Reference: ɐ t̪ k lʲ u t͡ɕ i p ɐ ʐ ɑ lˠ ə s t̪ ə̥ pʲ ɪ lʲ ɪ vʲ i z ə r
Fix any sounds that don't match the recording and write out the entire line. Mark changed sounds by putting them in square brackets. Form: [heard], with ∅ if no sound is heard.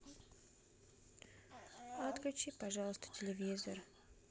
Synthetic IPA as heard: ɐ t̪ k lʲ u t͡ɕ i p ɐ ʐ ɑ lˠ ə s t̪ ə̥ [tʲ] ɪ lʲ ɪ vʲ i z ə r